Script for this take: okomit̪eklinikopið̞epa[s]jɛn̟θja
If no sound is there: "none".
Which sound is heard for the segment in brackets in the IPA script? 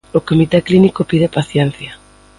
θ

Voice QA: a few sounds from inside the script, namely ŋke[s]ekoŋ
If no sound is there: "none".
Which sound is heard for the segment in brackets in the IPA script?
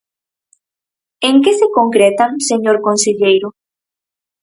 s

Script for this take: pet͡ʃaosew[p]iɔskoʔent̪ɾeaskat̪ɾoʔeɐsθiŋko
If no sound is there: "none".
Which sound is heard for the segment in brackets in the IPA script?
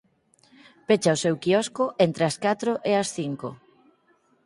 k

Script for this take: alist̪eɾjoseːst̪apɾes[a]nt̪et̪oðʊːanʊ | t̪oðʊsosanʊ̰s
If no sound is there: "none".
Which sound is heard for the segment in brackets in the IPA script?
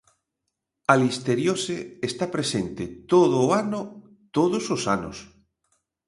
e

